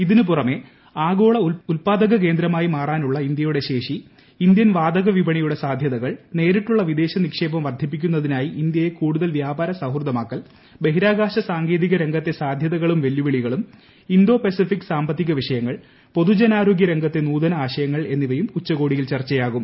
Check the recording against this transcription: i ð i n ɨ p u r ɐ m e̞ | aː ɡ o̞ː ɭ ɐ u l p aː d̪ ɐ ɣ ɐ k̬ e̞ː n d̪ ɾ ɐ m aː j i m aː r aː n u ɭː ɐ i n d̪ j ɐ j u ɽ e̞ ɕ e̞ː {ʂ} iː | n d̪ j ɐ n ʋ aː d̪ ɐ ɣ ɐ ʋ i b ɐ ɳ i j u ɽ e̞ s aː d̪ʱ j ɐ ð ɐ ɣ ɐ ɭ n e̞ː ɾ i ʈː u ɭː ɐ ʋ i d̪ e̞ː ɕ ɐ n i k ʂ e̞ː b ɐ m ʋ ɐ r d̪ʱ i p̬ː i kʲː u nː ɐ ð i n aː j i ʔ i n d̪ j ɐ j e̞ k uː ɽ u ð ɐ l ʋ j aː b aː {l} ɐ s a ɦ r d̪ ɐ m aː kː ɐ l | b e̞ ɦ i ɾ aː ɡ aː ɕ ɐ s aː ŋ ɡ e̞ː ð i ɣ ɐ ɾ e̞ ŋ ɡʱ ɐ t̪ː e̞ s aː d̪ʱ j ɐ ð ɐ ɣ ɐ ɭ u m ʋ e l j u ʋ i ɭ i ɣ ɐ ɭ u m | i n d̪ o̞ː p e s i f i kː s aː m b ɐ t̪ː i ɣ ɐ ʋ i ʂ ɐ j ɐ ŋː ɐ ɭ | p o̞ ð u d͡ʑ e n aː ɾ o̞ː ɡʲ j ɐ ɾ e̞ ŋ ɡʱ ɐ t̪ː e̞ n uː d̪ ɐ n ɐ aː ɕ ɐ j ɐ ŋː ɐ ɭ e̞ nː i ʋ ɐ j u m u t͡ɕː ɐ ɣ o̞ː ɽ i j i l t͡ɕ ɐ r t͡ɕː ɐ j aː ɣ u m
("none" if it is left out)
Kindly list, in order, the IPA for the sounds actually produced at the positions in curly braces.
ʂ, ɾ

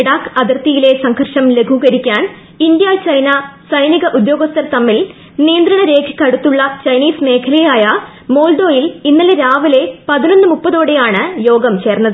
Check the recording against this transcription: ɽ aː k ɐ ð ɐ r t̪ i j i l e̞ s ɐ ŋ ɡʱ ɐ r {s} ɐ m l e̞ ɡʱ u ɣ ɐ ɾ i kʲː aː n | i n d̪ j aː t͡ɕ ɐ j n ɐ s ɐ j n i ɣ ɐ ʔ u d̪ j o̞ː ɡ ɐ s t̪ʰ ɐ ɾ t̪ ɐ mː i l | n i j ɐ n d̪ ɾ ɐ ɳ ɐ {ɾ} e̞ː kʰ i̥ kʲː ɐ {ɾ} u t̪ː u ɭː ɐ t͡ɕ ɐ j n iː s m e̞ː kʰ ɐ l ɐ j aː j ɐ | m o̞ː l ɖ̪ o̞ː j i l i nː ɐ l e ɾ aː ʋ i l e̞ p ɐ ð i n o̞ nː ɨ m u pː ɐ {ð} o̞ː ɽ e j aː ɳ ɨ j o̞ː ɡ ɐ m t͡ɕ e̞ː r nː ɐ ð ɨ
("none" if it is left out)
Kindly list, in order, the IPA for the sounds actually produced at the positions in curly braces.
ʂ, ɾ, ɽ, ð

